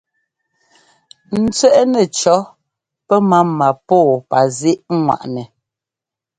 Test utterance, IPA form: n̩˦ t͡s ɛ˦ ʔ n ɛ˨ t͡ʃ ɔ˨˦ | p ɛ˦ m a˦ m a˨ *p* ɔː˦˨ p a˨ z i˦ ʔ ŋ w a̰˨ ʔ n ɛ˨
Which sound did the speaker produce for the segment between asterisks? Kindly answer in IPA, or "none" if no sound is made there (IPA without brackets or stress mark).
p